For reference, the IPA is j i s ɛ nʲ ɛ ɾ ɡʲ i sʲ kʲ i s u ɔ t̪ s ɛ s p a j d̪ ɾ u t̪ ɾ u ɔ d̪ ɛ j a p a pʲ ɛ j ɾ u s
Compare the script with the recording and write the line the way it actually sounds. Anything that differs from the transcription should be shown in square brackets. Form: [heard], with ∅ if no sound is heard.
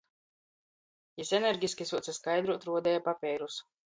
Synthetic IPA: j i s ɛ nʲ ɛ ɾ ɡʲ i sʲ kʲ i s u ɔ t̪ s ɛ s [k] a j d̪ ɾ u t̪ ɾ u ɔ d̪ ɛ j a p a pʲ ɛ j ɾ u s